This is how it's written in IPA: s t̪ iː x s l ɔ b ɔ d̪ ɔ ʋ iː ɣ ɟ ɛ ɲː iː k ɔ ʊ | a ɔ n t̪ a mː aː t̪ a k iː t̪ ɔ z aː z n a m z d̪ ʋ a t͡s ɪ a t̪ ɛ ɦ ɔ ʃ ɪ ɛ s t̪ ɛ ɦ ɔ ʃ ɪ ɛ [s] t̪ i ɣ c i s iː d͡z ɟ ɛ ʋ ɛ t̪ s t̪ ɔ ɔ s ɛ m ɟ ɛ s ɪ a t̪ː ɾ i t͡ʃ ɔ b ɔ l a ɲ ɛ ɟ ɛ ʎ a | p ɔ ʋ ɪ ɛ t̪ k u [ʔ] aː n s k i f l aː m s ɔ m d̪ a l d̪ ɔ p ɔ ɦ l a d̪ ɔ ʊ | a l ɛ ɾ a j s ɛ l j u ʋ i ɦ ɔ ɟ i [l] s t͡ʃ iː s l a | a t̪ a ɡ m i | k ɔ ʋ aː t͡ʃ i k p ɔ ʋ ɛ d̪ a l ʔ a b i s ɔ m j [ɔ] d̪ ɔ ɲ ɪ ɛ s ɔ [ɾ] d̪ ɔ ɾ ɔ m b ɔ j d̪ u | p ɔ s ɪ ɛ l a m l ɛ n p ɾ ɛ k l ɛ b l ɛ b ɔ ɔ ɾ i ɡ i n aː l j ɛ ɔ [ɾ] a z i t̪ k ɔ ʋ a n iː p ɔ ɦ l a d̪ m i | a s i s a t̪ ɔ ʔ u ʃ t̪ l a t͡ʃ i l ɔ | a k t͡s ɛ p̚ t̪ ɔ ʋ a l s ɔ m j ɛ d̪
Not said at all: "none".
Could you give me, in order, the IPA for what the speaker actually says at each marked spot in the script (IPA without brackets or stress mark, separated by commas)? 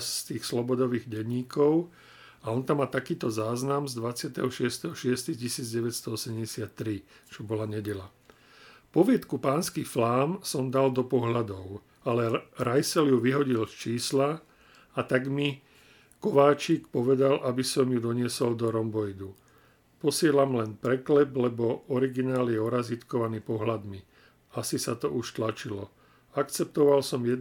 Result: s, p, l, u, l, ɾ